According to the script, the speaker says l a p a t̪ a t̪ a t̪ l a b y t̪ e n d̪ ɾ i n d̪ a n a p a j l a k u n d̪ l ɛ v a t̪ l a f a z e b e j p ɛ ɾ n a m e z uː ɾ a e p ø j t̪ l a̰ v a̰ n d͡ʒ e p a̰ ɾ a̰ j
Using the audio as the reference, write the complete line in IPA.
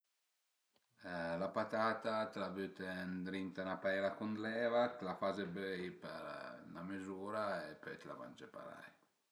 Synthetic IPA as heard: l a p a t̪ a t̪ a t̪ l a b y t̪ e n d̪ ɾ i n t̪ a n a p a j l a k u n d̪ l ɛ v a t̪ l a f a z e b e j p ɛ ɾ n a m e z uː ɾ a e p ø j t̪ l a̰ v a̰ n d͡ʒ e p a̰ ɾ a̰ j